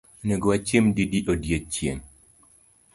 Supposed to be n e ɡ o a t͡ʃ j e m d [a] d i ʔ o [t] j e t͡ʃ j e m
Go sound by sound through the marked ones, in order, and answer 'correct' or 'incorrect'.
incorrect, incorrect

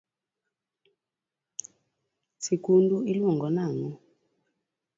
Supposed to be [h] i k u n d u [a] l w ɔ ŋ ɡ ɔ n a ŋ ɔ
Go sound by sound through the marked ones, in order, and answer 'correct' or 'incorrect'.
incorrect, incorrect

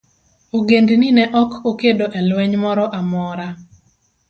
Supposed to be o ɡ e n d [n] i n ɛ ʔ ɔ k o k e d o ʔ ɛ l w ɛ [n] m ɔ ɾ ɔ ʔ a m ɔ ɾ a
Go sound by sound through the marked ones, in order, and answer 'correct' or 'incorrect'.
correct, incorrect

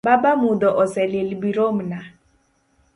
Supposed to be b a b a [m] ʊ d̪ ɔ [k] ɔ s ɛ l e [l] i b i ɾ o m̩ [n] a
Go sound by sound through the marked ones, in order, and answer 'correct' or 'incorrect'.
correct, incorrect, correct, correct

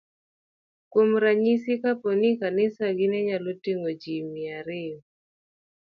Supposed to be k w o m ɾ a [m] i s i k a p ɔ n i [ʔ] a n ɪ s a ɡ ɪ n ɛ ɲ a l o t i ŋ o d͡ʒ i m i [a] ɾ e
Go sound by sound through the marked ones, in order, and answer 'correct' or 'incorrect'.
incorrect, incorrect, correct

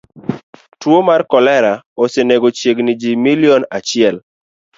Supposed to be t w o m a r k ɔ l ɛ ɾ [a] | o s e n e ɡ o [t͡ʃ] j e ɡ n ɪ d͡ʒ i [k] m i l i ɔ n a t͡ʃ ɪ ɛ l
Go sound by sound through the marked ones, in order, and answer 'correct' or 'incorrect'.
correct, correct, incorrect

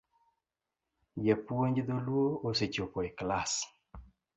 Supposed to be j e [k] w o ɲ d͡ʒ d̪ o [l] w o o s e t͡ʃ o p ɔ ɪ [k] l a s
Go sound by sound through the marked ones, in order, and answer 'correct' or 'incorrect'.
incorrect, correct, correct

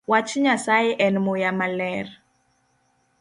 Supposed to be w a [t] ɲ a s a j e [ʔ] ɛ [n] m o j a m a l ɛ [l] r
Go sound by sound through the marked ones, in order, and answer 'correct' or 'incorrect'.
incorrect, correct, correct, incorrect

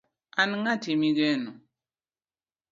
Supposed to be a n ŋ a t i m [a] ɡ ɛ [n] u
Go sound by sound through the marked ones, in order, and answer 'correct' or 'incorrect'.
incorrect, correct

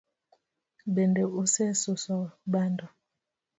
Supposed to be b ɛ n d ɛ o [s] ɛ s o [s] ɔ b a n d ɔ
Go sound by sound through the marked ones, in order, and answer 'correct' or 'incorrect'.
correct, correct

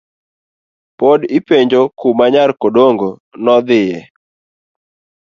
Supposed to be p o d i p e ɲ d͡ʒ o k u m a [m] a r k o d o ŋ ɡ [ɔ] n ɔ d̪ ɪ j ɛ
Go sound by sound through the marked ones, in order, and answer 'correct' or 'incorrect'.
incorrect, incorrect

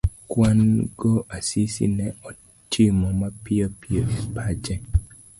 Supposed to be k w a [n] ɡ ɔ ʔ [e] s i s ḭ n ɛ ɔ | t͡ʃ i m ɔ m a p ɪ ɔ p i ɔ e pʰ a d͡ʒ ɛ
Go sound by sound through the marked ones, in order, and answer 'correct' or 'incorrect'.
correct, incorrect

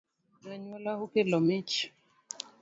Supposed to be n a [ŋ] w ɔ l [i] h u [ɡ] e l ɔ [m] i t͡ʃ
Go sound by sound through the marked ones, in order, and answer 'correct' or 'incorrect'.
incorrect, incorrect, incorrect, correct

